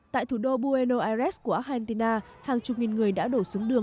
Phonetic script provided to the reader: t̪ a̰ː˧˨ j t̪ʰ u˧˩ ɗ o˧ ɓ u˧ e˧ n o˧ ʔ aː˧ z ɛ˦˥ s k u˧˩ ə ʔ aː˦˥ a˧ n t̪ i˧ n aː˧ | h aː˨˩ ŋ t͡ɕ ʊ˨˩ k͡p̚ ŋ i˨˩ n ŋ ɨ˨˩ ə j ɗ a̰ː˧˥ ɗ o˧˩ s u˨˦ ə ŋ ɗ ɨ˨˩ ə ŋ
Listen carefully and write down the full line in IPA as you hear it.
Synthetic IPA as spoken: t̪ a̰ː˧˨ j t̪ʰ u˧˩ ɗ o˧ ɓ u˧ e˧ n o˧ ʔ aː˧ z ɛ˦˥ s k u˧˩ ə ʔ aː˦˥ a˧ n t̪ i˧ n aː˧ | h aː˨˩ ŋ t͡ɕ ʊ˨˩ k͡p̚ ŋ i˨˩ n ŋ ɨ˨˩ ə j ɗ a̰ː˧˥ ɗ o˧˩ s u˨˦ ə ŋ ɗ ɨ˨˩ ə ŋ